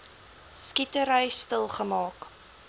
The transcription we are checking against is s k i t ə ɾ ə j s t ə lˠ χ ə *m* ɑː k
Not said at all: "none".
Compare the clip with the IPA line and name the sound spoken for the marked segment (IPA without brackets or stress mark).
m